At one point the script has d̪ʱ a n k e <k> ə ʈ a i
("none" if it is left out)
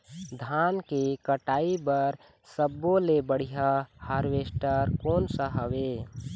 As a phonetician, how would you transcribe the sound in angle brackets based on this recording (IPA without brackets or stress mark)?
k